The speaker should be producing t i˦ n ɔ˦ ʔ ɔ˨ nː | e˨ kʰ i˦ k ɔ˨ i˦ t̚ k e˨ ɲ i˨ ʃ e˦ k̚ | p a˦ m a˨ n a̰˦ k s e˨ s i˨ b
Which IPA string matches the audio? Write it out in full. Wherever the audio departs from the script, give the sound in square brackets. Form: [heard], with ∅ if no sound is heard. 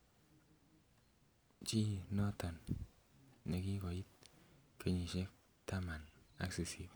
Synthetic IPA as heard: [t͡ʃ] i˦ n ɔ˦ [t] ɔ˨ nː | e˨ [k] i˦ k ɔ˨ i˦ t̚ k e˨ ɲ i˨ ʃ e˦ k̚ | [t] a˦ m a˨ n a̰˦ k s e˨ s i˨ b